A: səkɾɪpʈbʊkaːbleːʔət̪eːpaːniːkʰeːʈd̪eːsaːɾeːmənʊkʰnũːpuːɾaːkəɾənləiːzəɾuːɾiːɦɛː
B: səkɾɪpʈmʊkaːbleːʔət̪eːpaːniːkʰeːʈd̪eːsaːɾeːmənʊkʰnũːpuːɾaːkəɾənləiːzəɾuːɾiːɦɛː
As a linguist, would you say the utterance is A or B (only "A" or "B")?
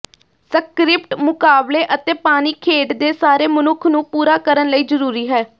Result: B